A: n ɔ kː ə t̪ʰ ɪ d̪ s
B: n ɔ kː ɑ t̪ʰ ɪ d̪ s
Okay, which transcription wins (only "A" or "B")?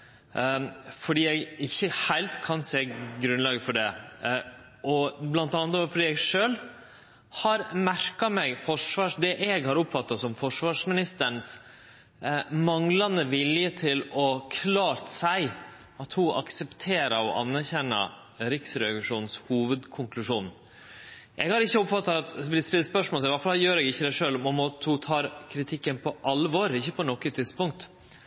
A